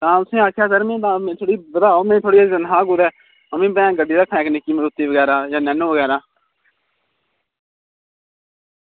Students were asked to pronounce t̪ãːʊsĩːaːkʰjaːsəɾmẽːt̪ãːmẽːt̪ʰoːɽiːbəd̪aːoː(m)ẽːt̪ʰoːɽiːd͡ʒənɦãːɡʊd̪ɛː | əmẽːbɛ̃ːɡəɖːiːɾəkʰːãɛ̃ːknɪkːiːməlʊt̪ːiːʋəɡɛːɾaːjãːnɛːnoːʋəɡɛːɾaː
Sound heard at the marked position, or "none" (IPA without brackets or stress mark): m